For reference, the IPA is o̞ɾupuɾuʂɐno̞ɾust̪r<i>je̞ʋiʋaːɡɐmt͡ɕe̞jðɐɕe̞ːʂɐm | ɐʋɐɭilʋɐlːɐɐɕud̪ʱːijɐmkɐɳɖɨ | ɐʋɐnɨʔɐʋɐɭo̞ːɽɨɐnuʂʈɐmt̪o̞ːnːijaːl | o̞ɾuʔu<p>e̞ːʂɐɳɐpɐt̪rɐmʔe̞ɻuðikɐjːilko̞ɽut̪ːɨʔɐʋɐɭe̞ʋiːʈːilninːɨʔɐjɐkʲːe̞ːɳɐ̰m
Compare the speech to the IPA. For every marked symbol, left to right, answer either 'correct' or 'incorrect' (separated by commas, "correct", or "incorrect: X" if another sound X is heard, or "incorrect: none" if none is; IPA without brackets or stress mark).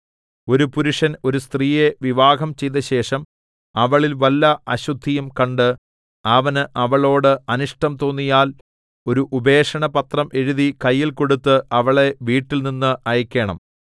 incorrect: iː, incorrect: b